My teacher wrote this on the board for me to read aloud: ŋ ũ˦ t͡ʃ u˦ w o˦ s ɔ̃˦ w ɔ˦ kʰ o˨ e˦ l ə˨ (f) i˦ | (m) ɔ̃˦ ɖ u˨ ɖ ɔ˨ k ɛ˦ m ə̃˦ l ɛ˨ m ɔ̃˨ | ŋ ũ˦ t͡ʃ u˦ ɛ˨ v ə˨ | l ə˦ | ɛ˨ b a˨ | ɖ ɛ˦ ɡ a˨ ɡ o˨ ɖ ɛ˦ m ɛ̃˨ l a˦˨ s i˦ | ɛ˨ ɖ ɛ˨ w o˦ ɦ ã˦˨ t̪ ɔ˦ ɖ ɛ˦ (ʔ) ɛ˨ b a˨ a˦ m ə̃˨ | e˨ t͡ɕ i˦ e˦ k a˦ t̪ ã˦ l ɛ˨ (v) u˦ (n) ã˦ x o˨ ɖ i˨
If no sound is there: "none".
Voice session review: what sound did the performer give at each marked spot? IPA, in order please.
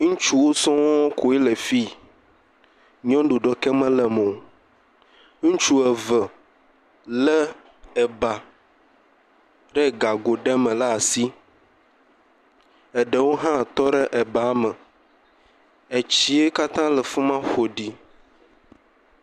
f, ɲ, ʔ, f, m

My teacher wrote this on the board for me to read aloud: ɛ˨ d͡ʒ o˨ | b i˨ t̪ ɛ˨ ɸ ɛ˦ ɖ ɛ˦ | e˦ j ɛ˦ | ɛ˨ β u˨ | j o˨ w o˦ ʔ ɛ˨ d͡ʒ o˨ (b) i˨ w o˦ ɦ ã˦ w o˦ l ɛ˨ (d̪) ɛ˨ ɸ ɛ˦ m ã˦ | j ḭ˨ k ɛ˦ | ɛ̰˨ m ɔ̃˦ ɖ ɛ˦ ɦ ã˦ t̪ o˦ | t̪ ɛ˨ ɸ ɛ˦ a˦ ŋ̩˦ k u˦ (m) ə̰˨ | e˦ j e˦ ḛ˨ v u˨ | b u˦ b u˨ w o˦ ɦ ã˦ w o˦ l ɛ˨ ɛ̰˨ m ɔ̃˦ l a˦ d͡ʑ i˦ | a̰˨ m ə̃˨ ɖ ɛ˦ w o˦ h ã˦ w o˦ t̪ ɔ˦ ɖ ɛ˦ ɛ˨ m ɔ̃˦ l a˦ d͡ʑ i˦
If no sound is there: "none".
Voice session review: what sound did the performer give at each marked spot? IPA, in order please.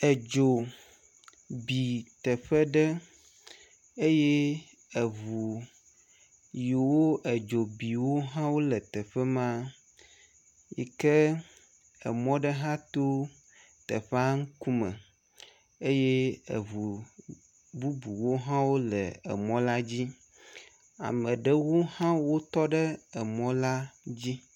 b, t̪, m

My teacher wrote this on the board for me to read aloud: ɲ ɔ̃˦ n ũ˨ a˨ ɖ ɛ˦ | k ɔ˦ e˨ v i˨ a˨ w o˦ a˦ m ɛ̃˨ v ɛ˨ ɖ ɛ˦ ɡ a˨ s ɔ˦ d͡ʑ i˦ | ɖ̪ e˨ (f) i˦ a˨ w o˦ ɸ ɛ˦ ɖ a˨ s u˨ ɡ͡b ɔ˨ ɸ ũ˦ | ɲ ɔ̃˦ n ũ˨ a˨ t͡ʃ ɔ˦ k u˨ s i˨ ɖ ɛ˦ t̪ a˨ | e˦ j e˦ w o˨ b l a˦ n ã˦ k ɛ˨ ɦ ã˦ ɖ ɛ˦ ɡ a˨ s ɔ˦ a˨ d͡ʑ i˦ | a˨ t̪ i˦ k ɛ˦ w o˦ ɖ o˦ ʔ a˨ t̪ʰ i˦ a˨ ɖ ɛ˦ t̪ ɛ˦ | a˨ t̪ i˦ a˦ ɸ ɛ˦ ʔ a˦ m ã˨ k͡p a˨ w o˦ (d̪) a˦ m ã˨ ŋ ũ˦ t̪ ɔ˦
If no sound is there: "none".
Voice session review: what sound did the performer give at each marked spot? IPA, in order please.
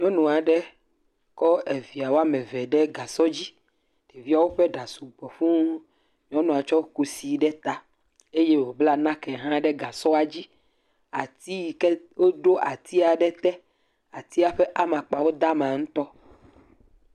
v, d̪

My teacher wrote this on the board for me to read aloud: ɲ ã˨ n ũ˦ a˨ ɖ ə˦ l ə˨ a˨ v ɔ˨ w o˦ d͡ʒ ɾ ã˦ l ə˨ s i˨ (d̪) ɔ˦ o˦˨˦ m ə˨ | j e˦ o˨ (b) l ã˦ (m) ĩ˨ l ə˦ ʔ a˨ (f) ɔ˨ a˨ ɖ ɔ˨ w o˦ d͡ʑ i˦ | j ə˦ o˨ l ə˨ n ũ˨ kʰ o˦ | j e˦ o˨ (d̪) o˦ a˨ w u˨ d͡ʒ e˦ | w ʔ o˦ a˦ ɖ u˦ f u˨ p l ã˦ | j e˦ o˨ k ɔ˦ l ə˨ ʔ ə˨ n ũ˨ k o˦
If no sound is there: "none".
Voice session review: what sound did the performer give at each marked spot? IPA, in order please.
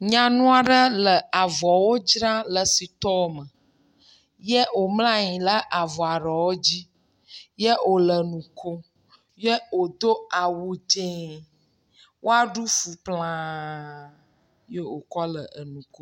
t̪, m, ɲ, v, d̪

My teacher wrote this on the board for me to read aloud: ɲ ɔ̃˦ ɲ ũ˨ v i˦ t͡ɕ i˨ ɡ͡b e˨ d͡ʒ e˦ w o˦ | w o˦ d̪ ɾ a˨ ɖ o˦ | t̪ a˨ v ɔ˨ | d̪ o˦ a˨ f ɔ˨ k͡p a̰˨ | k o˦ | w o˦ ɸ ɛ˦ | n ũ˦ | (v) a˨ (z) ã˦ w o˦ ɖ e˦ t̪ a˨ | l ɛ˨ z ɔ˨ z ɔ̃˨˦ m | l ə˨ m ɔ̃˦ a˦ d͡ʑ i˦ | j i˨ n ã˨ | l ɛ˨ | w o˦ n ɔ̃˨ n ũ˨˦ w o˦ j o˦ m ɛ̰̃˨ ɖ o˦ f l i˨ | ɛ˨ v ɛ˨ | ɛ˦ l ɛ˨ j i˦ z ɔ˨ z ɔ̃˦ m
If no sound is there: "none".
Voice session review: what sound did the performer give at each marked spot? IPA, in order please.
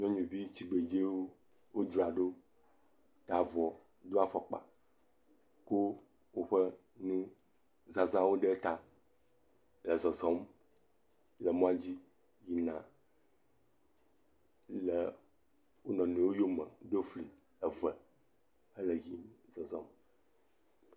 z, z

